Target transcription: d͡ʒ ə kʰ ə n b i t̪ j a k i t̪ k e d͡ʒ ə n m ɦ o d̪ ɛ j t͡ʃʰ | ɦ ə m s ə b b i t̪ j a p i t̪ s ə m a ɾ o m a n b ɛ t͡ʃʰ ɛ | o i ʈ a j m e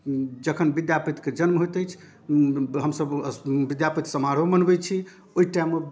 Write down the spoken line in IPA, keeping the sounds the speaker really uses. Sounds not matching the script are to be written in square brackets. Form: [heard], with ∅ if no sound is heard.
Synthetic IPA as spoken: d͡ʒ ə kʰ ə n b i [d̪] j a [p] i t̪ k e d͡ʒ ə n m ɦ o [t̪] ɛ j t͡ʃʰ | ɦ ə m s ə b b i [d̪] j a p i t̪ s ə m a ɾ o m [ə] n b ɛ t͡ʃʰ [i] | o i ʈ a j m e